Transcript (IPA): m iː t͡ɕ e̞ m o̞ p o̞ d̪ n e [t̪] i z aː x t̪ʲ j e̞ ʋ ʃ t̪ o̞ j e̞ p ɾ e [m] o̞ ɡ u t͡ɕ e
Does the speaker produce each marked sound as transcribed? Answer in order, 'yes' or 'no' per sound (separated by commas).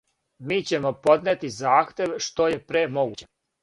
yes, yes